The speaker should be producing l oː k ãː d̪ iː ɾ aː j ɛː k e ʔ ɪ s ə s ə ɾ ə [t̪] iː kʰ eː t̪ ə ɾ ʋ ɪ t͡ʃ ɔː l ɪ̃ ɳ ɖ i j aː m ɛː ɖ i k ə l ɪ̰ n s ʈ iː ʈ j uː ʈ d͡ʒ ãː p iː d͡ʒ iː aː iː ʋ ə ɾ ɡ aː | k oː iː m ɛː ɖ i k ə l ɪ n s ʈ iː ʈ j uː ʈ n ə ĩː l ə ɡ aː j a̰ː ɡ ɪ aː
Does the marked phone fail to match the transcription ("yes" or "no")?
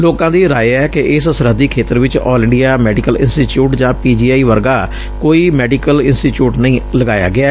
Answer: yes